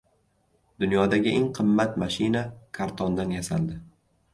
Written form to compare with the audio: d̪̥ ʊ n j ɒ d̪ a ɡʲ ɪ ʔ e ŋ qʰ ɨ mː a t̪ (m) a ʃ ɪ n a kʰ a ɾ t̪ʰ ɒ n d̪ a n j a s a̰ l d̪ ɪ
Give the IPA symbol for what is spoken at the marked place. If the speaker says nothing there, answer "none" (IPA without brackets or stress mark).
m